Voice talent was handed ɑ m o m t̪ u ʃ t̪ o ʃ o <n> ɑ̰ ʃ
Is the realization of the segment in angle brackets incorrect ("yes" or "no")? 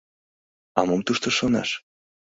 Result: no